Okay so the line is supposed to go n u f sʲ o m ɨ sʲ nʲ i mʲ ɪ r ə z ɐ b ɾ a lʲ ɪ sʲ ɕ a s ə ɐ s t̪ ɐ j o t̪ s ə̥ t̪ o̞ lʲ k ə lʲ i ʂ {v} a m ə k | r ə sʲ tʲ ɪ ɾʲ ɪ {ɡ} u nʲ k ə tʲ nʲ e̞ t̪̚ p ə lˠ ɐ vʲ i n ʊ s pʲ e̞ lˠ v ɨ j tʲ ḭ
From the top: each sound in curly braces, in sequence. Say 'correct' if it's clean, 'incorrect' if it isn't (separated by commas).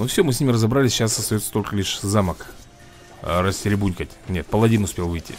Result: incorrect, incorrect